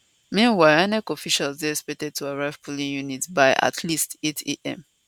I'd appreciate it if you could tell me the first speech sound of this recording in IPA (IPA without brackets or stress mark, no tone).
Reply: m